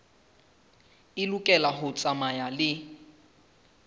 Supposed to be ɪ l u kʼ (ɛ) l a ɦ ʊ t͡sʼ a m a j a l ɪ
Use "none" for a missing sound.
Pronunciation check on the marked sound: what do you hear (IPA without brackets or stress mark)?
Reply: ɛ